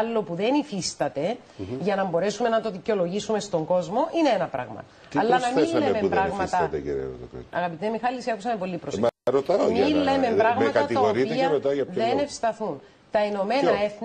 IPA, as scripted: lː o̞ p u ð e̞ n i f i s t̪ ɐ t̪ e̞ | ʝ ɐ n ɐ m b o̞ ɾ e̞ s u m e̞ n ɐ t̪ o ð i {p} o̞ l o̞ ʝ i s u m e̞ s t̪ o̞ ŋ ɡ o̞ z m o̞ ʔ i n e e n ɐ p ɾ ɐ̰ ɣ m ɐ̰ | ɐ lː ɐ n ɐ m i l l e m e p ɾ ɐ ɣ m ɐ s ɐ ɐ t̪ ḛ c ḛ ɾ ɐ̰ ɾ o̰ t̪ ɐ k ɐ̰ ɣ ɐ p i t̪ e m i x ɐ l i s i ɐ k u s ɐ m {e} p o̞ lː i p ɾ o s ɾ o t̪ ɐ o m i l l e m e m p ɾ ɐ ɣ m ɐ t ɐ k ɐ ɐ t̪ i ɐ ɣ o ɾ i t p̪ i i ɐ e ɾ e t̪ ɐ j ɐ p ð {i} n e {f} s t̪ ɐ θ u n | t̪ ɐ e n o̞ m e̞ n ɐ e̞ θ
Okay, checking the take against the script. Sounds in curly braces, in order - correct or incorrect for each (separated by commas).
incorrect, correct, incorrect, correct